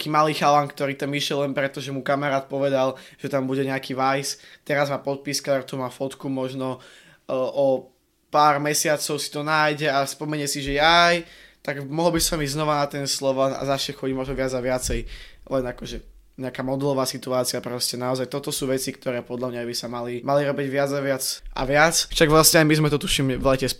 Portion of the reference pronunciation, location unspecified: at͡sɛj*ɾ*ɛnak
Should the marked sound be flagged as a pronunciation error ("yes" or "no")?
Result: yes